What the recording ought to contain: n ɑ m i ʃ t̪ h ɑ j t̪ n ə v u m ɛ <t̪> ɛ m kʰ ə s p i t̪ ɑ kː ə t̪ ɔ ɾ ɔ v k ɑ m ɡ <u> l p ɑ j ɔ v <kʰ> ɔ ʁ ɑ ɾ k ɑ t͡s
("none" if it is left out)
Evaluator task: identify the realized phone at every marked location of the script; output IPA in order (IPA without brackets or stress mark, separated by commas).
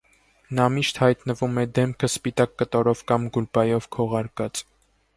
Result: d̪, u, kʰ